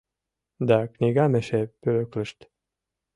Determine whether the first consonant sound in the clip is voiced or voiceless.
voiced